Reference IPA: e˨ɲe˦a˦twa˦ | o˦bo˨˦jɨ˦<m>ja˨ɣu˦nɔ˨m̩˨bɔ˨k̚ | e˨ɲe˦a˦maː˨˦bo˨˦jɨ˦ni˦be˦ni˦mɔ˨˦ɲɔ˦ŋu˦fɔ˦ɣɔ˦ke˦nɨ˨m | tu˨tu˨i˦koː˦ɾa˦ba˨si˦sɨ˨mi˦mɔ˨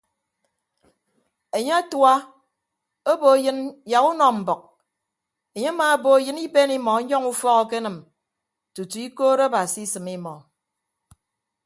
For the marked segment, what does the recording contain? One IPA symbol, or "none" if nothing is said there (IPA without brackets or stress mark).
n